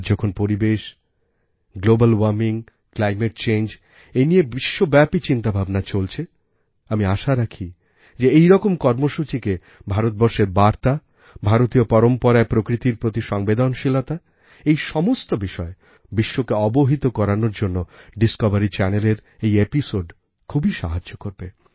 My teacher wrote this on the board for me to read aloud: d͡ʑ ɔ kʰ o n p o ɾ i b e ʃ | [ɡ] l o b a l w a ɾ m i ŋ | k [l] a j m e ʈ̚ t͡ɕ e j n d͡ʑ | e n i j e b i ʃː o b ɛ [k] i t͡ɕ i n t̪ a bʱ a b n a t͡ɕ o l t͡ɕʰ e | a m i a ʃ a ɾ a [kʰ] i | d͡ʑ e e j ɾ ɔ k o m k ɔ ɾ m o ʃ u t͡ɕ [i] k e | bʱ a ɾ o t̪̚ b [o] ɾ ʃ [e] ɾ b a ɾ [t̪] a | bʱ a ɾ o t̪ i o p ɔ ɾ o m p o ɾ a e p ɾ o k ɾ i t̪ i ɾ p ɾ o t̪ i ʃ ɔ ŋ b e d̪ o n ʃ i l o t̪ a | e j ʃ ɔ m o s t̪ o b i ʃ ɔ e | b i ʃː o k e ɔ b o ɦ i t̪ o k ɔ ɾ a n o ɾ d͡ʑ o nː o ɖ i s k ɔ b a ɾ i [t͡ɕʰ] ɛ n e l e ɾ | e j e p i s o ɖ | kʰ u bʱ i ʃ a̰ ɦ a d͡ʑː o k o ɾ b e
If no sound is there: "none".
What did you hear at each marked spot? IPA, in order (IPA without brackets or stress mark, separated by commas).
ɡ, l, p, kʰ, i, ɔ, e, t̪, t͡ɕ